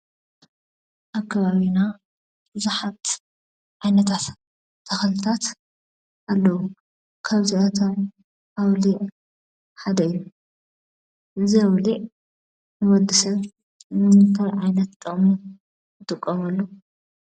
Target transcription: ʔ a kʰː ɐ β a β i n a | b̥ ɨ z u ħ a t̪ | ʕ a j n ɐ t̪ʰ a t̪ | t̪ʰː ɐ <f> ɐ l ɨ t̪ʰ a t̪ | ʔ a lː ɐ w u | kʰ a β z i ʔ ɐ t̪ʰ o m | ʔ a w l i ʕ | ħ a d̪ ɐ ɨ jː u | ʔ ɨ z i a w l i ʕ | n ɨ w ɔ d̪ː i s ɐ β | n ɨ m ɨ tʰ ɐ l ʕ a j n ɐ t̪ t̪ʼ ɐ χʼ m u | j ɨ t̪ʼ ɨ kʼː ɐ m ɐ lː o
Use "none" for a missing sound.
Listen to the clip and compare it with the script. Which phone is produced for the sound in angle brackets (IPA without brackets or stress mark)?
x